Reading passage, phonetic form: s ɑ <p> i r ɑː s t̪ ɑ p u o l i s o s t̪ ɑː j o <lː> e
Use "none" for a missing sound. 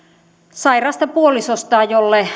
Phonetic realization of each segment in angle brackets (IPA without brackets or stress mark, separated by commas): none, lː